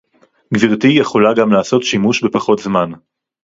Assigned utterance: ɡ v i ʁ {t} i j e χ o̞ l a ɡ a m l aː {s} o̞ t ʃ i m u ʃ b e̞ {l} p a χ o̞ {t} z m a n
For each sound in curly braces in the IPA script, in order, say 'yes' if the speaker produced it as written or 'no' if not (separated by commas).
yes, yes, no, yes